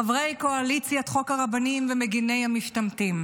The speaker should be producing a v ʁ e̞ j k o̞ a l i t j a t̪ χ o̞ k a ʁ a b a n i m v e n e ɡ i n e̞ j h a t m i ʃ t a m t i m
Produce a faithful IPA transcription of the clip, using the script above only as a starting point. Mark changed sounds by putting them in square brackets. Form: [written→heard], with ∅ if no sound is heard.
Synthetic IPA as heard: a v ʁ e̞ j k o̞ a l i [t→t͡s] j a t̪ χ o̞ k a ʁ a b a n i m v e [n→m] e ɡ i n e̞ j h a [t→∅] m i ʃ t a m t i m